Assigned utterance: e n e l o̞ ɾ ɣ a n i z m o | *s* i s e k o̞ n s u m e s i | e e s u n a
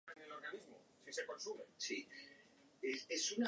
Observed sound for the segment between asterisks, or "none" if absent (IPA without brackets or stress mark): s